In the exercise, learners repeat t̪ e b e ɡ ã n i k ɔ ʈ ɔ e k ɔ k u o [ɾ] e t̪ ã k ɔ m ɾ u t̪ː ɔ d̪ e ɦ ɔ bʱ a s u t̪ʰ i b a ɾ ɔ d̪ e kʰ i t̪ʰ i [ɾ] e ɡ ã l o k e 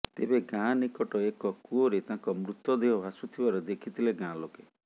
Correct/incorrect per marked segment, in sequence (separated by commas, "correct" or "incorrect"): correct, incorrect